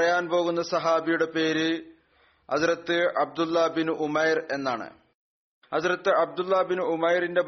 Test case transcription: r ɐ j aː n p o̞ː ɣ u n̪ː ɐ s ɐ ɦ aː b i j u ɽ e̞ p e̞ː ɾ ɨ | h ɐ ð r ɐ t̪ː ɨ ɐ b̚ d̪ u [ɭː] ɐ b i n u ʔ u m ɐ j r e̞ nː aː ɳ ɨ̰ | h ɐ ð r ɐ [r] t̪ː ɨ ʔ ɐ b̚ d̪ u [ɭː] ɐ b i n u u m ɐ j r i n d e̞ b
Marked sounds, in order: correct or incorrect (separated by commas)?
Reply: incorrect, incorrect, incorrect